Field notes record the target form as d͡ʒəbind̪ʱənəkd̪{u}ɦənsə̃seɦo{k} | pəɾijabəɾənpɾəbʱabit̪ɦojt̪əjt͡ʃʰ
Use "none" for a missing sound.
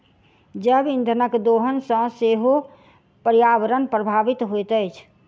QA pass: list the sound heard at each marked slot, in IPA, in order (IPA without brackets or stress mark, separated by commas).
o, none